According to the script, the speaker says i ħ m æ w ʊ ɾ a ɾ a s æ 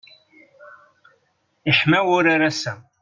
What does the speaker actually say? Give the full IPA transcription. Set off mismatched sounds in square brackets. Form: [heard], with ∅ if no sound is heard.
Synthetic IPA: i ħ m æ w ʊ ɾ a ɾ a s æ